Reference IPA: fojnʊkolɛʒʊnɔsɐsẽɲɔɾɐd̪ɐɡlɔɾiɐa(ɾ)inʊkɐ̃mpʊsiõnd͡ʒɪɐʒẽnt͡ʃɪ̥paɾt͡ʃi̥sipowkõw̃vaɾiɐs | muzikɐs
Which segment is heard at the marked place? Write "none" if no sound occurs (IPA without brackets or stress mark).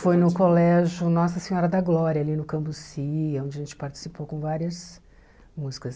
l